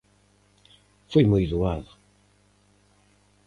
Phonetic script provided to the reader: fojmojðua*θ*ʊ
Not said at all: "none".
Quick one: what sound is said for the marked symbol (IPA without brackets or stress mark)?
ð